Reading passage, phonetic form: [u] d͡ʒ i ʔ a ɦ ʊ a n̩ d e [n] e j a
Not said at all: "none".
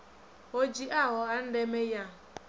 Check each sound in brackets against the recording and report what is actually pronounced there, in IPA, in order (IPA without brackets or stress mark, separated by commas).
o, m